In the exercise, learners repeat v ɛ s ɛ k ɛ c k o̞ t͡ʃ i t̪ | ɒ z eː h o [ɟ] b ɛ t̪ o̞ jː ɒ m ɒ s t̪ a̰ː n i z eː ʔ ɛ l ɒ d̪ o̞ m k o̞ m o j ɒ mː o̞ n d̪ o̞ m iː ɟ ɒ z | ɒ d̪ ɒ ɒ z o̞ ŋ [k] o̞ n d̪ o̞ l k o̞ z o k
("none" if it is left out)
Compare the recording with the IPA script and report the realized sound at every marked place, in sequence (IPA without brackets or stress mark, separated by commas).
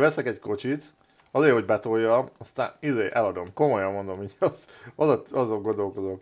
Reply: ɟ, ɡ